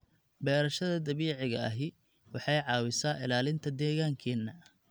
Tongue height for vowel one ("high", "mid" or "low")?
mid